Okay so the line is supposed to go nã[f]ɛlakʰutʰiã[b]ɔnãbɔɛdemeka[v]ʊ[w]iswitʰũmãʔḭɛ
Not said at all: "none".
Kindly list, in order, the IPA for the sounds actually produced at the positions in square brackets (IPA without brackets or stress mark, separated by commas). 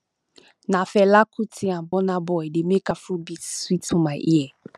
f, b, f, b